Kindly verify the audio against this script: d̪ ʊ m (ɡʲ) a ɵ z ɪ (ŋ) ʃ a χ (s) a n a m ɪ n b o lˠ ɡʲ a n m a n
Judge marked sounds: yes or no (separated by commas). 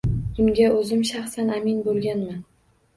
yes, no, yes